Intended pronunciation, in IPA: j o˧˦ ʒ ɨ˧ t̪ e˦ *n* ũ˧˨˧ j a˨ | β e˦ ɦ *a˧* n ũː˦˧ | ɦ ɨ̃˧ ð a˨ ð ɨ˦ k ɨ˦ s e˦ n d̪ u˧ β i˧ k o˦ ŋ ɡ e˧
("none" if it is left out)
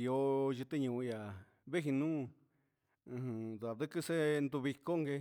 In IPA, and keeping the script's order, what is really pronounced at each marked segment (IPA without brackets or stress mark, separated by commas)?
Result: ɲ, i˧